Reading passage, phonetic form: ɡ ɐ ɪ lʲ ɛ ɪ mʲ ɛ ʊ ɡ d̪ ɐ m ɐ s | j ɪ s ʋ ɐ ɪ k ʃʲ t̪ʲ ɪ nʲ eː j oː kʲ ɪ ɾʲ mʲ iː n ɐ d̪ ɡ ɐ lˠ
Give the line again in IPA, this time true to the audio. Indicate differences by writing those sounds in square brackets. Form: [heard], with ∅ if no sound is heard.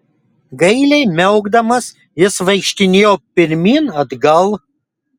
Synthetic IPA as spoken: ɡ ɐ ɪ lʲ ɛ ɪ mʲ ɛ ʊ ɡ d̪ ɐ m ɐ s | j ɪ s ʋ ɐ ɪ k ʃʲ t̪ʲ ɪ nʲ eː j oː [pʲ] ɪ ɾʲ mʲ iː n ɐ d̪ ɡ ɐ lˠ